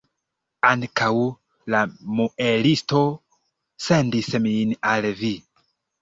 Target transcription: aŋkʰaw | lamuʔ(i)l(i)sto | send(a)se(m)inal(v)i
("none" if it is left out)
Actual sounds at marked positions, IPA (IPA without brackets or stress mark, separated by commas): e, i, i, m, v